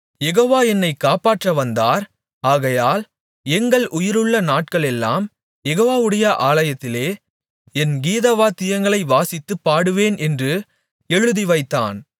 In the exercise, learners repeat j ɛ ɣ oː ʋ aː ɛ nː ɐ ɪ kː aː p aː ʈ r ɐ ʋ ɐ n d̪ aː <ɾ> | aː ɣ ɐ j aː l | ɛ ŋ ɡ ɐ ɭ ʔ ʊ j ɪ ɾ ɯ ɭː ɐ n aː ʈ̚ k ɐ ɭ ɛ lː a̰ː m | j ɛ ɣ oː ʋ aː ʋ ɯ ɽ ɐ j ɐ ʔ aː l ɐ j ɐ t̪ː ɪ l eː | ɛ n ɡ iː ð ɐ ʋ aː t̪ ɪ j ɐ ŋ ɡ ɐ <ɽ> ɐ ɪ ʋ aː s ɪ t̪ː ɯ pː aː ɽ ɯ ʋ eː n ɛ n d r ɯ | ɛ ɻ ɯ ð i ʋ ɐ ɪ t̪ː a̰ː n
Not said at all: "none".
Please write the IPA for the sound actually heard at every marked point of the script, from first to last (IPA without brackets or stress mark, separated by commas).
ɾ, ɭ